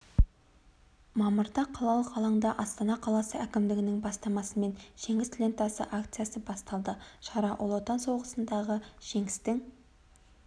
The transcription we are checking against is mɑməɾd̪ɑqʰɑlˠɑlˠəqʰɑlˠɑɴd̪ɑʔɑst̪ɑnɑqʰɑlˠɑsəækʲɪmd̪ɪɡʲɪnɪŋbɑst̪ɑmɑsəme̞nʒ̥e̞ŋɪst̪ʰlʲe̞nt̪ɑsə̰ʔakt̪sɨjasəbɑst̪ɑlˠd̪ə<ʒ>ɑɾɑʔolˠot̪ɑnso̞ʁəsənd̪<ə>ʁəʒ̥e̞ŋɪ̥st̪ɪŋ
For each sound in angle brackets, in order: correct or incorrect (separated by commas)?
incorrect, incorrect